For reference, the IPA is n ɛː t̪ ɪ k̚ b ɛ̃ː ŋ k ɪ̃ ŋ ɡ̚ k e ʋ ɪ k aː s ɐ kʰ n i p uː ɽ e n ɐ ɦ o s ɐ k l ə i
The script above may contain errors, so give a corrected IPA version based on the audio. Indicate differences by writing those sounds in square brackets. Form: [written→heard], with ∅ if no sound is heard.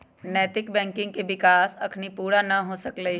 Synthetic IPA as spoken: n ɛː t̪ ɪ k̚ b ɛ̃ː ŋ k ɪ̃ ŋ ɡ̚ k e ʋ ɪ k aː s ɐ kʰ n i p uː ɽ [e→a] n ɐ ɦ o s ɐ k l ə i